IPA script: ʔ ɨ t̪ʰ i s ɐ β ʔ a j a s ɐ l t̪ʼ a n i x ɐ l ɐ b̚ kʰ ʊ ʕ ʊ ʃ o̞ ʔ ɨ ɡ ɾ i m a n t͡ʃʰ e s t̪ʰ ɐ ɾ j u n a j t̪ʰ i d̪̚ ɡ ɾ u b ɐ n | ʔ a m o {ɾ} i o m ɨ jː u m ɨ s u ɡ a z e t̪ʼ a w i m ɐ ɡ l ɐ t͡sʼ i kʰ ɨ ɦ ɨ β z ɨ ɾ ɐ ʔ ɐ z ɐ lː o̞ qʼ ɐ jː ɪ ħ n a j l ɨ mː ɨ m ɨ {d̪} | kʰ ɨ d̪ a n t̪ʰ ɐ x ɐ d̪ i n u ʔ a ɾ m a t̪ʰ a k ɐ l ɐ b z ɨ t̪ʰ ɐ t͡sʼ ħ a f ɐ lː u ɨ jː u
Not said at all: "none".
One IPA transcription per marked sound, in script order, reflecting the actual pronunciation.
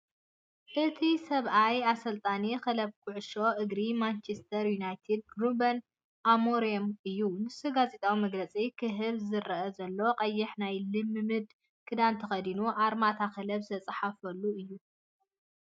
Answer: ɾ, d̪

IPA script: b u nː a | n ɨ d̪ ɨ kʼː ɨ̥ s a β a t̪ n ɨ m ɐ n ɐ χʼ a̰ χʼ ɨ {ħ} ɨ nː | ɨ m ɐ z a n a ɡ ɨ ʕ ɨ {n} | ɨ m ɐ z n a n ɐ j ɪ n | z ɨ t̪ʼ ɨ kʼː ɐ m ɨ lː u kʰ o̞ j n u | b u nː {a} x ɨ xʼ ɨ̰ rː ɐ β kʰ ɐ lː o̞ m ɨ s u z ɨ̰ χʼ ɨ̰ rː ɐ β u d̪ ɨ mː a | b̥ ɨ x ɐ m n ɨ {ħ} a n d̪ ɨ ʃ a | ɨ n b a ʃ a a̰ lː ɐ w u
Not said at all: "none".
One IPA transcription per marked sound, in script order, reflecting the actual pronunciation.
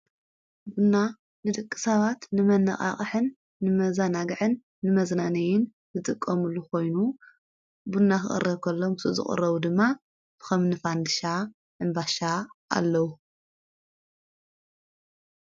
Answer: ħ, nː, a, f

